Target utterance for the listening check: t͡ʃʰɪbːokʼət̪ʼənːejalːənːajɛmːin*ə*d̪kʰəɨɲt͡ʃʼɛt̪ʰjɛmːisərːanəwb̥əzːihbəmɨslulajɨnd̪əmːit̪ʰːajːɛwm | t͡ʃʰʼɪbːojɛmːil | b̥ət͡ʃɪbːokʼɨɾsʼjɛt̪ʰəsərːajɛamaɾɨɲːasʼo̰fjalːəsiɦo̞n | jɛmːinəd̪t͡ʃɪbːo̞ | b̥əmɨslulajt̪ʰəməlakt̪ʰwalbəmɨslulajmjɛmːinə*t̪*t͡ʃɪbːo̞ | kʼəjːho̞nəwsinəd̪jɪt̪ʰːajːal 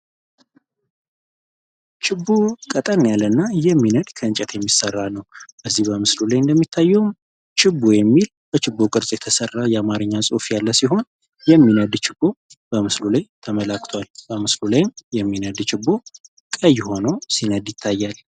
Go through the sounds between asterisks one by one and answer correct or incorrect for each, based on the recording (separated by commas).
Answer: correct, incorrect